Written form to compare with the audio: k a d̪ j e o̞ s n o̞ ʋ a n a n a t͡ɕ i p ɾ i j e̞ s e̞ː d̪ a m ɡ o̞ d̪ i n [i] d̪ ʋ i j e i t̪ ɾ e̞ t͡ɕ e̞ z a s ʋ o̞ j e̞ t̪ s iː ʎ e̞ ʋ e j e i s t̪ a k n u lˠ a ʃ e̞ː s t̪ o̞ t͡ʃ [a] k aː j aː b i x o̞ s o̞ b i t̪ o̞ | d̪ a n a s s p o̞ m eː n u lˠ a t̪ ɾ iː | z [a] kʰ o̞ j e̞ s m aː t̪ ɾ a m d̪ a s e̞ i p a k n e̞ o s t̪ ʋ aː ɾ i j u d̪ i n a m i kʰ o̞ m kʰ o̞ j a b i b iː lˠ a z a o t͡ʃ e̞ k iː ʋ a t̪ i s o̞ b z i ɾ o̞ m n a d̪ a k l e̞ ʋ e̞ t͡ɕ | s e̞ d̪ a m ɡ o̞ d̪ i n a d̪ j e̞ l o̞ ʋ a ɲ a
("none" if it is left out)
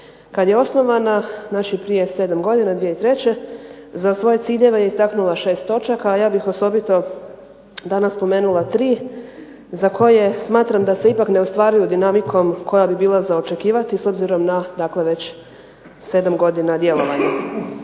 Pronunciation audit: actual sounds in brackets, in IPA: a, a, a

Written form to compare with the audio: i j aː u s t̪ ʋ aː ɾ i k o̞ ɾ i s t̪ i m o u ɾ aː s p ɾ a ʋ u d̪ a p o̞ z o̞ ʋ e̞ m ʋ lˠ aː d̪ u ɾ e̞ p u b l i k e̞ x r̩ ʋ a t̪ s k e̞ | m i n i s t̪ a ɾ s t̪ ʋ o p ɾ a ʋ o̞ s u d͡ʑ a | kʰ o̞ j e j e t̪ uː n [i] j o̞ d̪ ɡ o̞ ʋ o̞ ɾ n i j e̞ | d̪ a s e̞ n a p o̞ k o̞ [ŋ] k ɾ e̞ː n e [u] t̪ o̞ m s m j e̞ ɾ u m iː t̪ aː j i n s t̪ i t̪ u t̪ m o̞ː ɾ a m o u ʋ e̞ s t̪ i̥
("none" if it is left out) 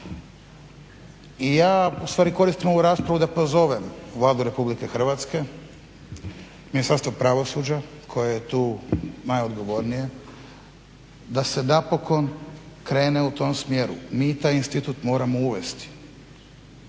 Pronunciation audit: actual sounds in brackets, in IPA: a, n, u

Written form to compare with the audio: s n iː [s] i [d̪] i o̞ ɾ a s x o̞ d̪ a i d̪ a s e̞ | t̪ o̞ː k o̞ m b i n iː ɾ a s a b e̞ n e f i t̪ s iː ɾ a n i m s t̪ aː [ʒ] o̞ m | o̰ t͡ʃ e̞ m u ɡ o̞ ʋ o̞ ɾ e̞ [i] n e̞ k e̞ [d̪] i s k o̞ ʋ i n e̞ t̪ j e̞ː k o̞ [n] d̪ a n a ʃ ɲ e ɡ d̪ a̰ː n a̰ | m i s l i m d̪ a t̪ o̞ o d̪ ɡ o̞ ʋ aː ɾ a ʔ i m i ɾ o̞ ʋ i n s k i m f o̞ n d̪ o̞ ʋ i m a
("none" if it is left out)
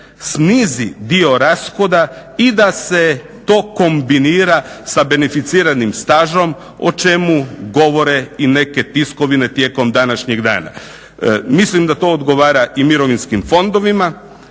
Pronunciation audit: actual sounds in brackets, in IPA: z, d̪, ʒ, i, t̪, m

